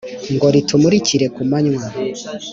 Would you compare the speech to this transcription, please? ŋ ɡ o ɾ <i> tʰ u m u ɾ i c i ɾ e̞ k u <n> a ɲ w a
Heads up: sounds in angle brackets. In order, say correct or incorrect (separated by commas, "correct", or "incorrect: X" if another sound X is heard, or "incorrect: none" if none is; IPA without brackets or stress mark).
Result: correct, incorrect: m